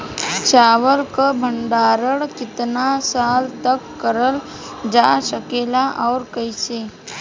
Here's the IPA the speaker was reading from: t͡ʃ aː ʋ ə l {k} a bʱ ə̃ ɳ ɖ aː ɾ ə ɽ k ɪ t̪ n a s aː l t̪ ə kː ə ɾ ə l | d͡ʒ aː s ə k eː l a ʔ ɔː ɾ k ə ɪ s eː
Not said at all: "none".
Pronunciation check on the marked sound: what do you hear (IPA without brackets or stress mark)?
k